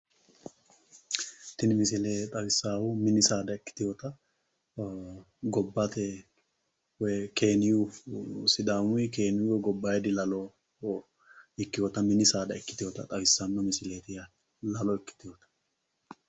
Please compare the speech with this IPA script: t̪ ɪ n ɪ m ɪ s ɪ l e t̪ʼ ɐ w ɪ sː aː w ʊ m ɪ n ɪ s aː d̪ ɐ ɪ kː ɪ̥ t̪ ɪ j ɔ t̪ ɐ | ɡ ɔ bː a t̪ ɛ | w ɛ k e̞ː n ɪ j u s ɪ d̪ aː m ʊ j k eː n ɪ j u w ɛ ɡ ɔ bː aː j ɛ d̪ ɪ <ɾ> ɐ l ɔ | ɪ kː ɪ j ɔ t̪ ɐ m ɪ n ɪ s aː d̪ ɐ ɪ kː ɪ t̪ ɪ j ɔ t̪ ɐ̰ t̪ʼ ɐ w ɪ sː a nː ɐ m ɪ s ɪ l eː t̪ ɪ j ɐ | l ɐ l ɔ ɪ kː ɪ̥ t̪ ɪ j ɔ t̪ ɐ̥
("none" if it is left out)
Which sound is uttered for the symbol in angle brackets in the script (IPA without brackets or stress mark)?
l